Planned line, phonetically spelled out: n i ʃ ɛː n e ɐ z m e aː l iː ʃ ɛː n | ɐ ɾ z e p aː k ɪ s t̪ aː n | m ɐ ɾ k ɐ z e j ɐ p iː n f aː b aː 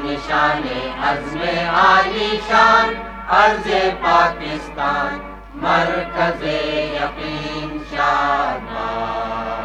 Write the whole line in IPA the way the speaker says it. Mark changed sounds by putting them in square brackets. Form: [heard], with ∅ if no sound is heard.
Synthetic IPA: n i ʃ [aː] n e ɐ z m e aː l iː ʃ [aː] n | ɐ ɾ z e p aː k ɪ s t̪ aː n | m ɐ ɾ k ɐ z e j ɐ [q] iː n [ʃ] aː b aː